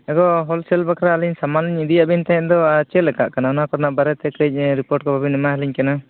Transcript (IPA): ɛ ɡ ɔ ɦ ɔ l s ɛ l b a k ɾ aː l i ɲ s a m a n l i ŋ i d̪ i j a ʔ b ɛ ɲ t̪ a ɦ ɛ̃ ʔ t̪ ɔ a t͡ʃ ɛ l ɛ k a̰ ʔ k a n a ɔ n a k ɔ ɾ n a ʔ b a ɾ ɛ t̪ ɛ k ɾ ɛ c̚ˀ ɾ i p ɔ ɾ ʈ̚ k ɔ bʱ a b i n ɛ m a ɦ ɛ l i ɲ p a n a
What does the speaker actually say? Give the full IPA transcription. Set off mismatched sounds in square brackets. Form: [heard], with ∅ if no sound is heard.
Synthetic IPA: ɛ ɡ ɔ ɦ ɔ l s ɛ l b a k ɾ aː l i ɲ s a m a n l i [ɲ] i d̪ i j a ʔ b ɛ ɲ t̪ a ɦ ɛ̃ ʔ [d̪] ɔ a t͡ʃ ɛ l ɛ k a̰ ʔ k a n a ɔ n a k ɔ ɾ n a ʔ b a ɾ ɛ t̪ ɛ k ɾ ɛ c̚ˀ ɾ i p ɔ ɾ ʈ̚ k ɔ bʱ a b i n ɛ m a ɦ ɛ l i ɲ [k] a n a